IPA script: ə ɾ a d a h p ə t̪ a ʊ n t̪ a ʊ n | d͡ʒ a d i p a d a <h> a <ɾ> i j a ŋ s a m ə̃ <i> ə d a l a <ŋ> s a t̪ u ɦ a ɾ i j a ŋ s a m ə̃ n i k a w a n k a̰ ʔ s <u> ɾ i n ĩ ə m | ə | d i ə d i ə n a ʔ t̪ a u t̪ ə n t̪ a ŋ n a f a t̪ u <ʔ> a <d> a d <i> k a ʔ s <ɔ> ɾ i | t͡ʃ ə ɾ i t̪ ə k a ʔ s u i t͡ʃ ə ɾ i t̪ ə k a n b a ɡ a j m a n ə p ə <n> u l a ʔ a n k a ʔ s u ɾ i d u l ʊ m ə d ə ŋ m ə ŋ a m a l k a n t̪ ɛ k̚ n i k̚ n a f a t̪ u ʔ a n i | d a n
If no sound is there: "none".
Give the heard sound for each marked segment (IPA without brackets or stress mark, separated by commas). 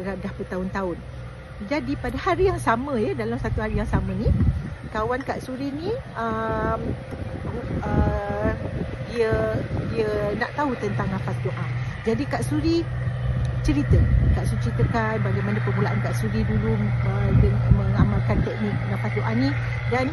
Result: h, ɾ, j, m, u, ʔ, d͡ʒ, i, u, m